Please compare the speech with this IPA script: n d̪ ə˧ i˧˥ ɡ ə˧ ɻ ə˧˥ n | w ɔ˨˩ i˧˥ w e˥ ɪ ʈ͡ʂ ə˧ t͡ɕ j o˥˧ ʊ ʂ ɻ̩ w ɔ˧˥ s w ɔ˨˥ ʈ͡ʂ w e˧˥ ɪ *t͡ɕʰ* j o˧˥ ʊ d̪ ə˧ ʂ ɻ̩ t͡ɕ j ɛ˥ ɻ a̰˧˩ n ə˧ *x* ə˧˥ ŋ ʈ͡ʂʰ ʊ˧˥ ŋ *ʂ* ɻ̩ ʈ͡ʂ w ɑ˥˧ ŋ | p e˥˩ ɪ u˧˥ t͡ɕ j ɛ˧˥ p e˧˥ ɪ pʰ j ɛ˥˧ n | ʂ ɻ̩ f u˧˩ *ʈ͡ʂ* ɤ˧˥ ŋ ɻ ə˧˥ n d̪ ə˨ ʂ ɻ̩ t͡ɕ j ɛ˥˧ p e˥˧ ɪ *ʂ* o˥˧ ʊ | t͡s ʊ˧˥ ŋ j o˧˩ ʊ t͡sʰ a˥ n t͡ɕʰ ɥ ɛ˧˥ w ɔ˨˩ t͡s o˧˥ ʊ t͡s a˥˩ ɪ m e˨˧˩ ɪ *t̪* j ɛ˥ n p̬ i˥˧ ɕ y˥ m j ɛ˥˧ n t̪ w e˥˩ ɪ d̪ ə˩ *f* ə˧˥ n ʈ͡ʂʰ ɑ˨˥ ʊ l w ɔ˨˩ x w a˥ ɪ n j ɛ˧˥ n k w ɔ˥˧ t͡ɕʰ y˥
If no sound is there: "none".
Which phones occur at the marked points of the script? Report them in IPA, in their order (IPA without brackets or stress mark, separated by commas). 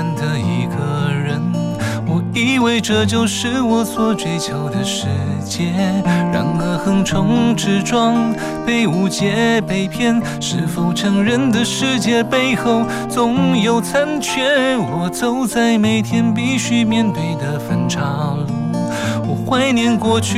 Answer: t͡ɕʰ, x, ʈ͡ʂ, ʈ͡ʂʰ, x, t̪ʰ, f